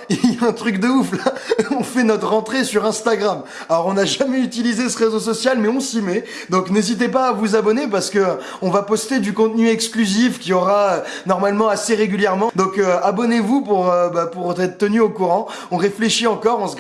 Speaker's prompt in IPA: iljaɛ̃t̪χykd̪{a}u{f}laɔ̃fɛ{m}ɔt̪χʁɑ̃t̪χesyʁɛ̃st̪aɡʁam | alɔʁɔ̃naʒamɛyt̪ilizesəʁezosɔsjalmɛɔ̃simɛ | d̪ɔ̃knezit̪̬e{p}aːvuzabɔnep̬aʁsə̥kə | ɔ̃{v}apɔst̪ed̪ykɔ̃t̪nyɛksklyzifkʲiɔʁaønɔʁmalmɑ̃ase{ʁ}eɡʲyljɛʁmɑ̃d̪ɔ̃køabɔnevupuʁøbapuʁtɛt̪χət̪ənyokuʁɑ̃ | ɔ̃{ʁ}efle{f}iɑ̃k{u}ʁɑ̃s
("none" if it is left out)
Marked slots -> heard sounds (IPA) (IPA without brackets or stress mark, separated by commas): ə, f, n, p, v, ʁ, ʁ, ʃ, ɔ